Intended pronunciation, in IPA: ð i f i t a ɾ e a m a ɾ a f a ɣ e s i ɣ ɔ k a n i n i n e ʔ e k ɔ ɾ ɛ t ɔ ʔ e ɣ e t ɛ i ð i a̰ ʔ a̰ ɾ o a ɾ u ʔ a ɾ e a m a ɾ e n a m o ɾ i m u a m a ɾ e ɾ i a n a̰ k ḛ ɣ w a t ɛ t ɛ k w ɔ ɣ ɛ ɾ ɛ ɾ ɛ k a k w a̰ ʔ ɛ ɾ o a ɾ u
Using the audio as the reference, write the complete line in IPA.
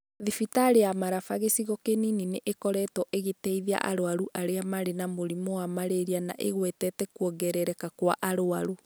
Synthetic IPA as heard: ð i f i t a ɾ e a m a ɾ a f a ɣ e s i ɣ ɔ k e n i n i n e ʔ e k ɔ ɾ ɛ t ɔ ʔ e ɣ e t ɛ i ð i a̰ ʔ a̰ ɾ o a ɾ u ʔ a ɾ e a m a ɾ e n a m o ɾ i m o a m a ɾ e ɾ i a n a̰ ʔ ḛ ɣ w ɛ t ɛ t ɛ k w ɔ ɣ ɛ ɾ ɛ ɾ ɛ k a k w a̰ ʔ a ɾ o a ɾ u